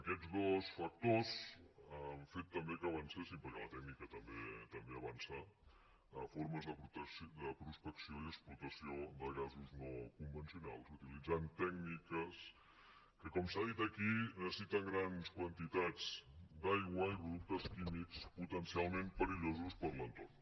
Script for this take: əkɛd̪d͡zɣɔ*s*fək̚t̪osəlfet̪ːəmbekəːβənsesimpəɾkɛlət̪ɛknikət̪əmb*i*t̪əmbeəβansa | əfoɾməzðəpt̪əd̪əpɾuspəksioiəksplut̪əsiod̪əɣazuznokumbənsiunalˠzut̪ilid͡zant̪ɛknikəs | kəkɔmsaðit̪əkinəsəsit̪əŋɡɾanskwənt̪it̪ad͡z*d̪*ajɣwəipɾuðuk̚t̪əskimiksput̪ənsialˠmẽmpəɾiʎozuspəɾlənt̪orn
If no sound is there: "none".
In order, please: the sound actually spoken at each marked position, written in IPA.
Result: s, e, d̪

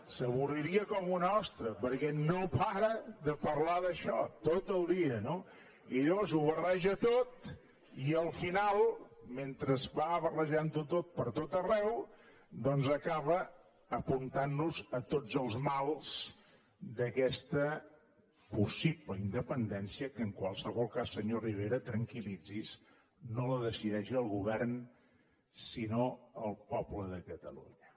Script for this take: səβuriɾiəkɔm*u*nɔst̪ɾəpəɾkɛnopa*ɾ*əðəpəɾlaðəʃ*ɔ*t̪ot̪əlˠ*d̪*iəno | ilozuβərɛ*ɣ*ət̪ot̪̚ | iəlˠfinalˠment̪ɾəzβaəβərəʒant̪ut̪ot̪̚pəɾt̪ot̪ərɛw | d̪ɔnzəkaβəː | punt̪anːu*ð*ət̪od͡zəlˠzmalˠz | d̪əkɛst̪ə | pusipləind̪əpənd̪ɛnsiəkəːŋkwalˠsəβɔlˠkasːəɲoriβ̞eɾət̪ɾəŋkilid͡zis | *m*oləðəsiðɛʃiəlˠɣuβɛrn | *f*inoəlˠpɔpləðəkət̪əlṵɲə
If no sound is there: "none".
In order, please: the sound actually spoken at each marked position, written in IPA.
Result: u, ɾ, ɔ, d̪, ʒ, z, n, s

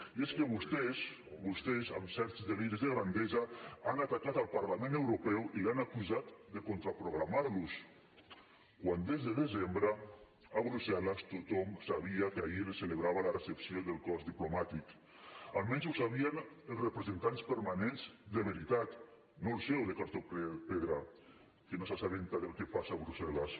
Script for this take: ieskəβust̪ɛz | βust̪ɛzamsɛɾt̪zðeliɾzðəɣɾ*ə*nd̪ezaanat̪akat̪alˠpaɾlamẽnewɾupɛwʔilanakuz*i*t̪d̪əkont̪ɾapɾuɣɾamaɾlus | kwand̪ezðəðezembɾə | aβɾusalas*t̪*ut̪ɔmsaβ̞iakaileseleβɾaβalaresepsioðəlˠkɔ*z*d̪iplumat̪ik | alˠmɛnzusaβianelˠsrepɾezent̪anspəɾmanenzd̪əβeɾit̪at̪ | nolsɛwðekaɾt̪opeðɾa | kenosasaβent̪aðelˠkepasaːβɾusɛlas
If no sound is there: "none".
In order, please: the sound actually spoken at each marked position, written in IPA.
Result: a, a, t̪, z

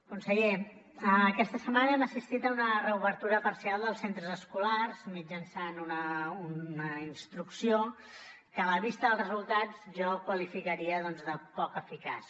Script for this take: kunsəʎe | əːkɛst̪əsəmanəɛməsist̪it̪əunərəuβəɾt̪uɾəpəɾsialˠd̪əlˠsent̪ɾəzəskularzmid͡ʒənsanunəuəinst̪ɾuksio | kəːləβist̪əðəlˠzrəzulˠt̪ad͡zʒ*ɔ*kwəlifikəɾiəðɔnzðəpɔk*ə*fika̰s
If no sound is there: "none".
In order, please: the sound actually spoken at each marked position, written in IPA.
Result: ɔ, ə

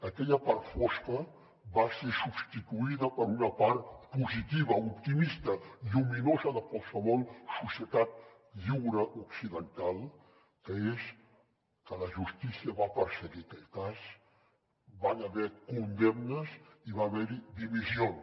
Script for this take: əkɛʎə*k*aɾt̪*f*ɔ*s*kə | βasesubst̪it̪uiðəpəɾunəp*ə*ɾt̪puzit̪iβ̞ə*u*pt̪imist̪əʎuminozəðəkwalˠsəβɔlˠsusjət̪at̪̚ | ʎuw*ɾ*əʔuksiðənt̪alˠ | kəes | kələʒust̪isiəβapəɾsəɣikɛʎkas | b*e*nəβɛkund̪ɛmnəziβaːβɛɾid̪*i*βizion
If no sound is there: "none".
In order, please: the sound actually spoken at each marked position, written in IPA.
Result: p, f, s, a, u, ɾ, a, i

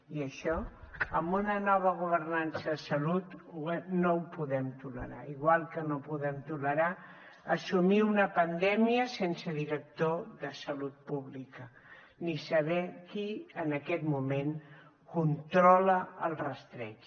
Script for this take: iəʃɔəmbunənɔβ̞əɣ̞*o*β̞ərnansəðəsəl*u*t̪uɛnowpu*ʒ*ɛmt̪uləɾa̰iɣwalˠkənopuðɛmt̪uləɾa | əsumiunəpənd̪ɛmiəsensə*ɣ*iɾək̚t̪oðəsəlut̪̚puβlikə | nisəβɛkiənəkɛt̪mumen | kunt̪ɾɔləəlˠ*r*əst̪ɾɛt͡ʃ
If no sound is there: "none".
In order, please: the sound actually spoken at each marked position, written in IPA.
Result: u, u, ð, ð, r

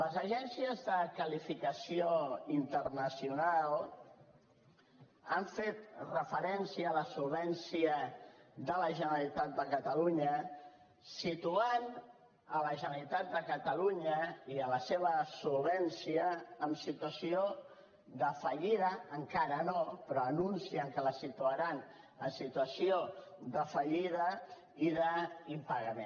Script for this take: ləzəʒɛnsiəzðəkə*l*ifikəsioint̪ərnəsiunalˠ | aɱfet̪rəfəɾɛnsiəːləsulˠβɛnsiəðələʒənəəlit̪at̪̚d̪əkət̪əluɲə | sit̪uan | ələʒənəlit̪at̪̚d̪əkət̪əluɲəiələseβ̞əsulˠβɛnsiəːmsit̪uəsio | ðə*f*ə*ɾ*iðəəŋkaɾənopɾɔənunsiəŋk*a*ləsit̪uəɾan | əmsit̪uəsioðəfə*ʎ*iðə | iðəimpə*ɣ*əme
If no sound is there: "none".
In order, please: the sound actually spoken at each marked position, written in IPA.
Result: l, f, ʎ, ə, ʎ, ɣ

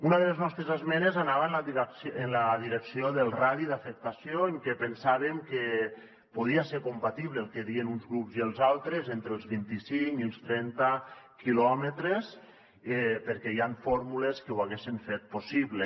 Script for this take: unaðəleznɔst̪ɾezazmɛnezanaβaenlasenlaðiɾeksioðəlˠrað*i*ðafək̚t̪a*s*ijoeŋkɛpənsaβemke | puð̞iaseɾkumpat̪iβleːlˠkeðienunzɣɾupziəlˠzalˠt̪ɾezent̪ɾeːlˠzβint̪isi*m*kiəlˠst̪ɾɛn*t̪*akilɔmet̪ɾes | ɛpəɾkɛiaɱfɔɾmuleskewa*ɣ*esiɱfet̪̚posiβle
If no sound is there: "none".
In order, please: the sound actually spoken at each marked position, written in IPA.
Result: i, s, ŋ, t̪, ɣ

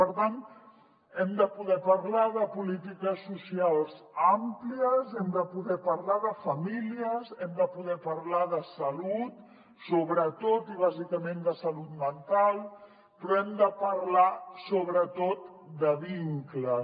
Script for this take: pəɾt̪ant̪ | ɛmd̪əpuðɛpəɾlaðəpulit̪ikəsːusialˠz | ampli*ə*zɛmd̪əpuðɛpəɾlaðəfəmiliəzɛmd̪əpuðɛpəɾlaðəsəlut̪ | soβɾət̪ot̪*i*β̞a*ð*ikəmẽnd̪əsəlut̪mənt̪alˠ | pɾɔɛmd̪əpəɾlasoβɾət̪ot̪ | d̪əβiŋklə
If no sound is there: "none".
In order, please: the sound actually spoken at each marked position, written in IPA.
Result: ə, i, z

